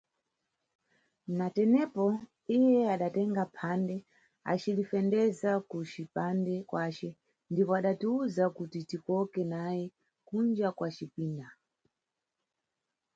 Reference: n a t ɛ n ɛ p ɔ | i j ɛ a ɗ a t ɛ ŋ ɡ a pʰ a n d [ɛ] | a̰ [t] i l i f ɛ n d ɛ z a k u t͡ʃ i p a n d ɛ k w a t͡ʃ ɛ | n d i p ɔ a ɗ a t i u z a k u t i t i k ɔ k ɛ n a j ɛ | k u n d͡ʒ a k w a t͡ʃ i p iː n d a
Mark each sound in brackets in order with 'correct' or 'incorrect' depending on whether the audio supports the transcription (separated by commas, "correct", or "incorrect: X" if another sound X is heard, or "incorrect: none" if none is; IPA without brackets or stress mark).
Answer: correct, incorrect: t͡ʃ